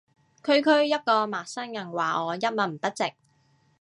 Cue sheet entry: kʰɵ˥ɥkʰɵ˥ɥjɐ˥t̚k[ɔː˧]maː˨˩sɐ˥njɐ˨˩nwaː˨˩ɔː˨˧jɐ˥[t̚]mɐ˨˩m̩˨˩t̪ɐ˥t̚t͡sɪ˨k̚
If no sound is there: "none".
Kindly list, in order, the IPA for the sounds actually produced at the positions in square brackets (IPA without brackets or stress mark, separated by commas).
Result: ɔː˧, t̚